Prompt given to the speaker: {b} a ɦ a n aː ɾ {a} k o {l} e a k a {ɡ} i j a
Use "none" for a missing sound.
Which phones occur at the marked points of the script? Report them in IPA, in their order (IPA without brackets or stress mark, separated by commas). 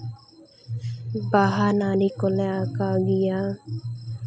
b, i, l, ɡ